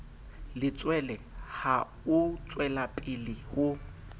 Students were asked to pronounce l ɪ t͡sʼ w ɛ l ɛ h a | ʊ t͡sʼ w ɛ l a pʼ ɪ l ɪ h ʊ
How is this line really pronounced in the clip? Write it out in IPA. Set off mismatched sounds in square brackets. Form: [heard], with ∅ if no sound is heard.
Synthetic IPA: l ɪ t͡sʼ w ɛ l ɛ h a | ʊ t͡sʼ w ɛ l a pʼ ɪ l ɪ h ʊ